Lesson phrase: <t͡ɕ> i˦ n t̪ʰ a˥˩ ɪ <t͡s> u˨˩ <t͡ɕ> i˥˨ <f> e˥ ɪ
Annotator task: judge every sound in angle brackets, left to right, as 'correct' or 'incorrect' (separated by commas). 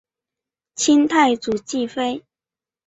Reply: incorrect, correct, correct, correct